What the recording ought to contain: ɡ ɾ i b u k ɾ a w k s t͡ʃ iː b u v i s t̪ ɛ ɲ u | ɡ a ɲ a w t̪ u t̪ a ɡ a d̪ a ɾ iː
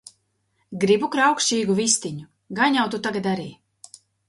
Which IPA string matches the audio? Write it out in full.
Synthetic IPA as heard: ɡ ɾ i b u k ɾ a w k ʃ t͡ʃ iː ɡ u v i s t̪ i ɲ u | ɡ a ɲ a w t̪ u t̪ a ɡ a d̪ a ɾ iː